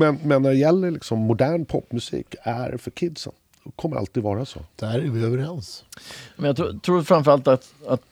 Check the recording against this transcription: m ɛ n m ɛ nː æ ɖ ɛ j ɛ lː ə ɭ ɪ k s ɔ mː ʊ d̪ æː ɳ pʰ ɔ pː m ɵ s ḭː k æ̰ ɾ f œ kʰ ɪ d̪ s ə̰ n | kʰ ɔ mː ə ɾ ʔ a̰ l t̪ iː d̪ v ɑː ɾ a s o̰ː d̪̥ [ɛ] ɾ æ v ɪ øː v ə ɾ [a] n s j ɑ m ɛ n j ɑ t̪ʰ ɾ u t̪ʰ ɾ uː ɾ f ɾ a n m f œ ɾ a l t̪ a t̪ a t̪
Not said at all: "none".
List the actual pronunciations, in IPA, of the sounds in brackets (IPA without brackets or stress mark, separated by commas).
æ, ɛ